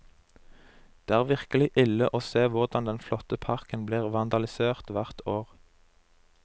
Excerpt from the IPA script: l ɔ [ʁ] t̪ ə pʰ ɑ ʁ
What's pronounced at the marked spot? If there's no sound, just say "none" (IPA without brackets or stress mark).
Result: none